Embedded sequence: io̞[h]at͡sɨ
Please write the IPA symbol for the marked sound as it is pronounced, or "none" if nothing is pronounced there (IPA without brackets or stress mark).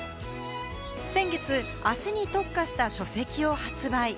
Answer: h